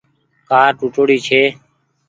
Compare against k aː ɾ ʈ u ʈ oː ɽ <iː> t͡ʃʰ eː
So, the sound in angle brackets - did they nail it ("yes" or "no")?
yes